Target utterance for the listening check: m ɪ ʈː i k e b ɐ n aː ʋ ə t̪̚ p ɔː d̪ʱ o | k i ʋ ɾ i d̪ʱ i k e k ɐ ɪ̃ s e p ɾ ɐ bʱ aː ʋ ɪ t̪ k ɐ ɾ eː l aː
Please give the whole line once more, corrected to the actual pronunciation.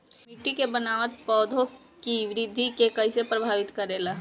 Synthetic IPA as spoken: m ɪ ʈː i k e b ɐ n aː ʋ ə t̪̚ p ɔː d̪ʱ o | k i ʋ ɾ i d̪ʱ i k e k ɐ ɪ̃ s e p ɾ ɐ bʱ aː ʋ ɪ t̪ k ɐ ɾ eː l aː